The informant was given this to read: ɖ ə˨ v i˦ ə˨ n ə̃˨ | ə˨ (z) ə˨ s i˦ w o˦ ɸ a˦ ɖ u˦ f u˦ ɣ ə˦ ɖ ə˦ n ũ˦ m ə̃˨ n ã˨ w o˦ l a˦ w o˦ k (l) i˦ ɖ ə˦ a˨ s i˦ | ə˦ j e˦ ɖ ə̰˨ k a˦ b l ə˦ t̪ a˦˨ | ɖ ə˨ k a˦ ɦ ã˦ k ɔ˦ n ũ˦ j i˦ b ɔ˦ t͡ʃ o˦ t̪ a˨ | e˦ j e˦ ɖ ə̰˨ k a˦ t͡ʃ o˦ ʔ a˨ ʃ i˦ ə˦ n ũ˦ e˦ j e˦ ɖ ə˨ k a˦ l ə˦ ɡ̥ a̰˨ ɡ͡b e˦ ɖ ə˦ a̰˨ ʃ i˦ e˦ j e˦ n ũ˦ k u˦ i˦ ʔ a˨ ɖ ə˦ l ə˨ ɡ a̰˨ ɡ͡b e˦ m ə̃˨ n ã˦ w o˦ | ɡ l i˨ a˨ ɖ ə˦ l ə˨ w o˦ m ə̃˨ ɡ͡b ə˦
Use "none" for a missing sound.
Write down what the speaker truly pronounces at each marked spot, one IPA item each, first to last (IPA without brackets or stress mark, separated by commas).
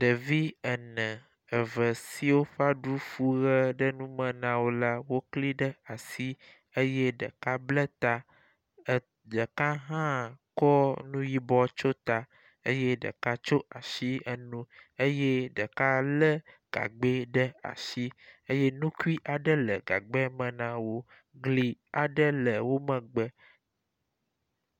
v, l